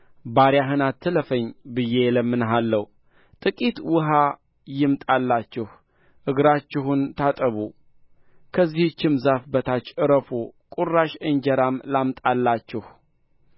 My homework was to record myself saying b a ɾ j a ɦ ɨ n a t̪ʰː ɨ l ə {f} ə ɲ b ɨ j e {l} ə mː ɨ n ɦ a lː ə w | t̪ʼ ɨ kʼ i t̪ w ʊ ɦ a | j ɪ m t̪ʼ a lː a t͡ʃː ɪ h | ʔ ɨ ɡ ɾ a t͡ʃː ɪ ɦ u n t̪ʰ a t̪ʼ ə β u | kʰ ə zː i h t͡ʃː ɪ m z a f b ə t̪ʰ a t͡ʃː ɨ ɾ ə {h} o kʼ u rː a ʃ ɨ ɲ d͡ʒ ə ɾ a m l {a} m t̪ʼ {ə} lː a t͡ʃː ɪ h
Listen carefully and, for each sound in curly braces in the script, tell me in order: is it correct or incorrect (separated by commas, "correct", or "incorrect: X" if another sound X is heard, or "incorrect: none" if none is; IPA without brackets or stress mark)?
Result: correct, correct, incorrect: f, correct, incorrect: a